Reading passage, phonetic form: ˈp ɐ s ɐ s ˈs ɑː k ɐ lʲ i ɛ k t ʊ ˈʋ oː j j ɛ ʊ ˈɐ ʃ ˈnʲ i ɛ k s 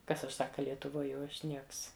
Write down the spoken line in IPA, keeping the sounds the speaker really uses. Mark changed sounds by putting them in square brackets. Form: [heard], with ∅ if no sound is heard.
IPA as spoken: [ˈk] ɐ s ɐ [ʃ] ˈs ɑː k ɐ lʲ i ɛ [∅] t ʊ ˈʋ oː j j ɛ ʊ ˈɐ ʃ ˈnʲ i ɛ k s